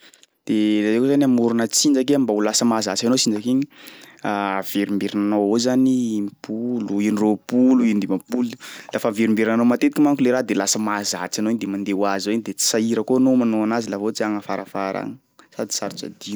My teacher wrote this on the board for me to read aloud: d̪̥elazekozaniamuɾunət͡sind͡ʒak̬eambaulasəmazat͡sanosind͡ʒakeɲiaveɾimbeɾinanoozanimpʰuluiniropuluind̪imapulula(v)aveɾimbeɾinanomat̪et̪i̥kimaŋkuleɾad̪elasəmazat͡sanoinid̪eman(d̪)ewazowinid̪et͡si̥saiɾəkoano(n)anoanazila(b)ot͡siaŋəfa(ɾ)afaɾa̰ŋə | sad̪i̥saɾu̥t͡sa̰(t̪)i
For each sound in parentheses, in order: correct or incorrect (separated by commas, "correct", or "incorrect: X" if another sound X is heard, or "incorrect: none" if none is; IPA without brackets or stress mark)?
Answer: incorrect: f, correct, incorrect: m, incorrect: v, correct, incorrect: d̪